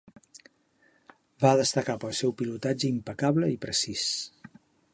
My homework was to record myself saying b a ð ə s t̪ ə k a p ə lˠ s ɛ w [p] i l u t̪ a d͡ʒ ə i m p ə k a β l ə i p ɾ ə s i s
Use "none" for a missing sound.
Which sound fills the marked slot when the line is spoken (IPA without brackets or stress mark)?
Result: p